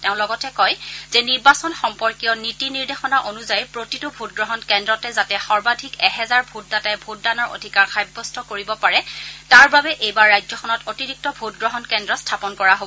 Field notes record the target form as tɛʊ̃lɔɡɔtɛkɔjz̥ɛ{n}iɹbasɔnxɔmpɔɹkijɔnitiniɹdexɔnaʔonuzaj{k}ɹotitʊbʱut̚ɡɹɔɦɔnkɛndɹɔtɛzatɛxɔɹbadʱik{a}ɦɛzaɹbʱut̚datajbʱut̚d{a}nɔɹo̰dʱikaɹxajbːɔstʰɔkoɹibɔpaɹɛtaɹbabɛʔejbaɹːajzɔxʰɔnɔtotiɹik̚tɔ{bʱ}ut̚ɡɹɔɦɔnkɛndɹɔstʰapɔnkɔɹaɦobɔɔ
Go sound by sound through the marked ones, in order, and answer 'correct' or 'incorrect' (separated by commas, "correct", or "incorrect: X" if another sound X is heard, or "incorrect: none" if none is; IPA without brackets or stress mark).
correct, incorrect: p, incorrect: ɛ, correct, correct